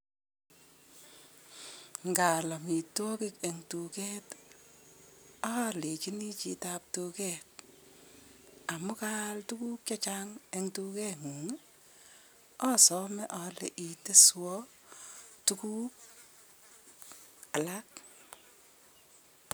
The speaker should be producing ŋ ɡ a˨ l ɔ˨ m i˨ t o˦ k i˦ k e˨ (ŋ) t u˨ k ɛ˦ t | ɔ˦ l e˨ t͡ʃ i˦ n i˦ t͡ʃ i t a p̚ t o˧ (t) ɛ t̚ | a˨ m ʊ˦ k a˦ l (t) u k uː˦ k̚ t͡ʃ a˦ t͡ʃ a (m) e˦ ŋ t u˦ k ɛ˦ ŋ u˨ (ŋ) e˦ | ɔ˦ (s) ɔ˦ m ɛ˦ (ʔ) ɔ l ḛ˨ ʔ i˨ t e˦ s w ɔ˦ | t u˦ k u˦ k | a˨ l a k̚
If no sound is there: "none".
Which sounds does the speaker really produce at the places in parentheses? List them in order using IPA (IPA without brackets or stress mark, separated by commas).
ŋ, k, t, ŋ, ŋ, s, ʔ